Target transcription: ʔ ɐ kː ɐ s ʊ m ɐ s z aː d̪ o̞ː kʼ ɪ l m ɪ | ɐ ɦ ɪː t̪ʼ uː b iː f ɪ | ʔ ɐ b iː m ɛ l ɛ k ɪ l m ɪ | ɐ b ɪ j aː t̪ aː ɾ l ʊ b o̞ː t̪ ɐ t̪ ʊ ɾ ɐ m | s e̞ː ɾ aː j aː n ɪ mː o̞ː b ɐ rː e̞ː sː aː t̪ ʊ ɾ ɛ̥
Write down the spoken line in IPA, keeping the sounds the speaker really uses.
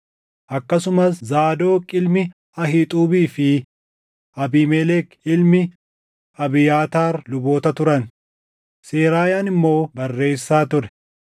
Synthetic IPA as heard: ʔ ɐ kː ɐ s ʊ m ɐ s z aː d̪ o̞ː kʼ ɪ l m ɪ | ɐ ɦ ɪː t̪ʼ uː b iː f ɪ | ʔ ɐ b iː m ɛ l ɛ k ɪ l m ɪ | ɐ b ɪ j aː t̪ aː ɾ l ʊ b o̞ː t̪ ɐ t̪ ʊ ɾ ɐ n | s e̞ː ɾ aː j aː n ɪ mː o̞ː b ɐ rː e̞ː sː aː t̪ ʊ ɾ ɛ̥